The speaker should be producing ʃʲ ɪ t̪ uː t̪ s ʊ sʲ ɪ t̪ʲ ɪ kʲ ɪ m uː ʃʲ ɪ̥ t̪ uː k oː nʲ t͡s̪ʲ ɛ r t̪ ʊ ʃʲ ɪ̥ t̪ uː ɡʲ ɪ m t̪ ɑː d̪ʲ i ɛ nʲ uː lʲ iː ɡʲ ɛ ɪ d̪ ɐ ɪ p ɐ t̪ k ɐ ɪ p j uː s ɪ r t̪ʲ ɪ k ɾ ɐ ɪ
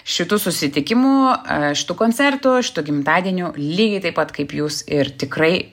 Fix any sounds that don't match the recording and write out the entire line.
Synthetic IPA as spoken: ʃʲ ɪ t̪ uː s ʊ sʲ ɪ t̪ʲ ɪ kʲ ɪ m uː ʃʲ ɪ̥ t̪ uː k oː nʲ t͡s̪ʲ ɛ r t̪ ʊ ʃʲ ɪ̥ t̪ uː ɡʲ ɪ m t̪ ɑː d̪ʲ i ɛ nʲ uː lʲ iː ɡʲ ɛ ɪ t̪ ɐ ɪ p ɐ t̪ k ɐ ɪ p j uː s ɪ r t̪ʲ ɪ k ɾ ɐ ɪ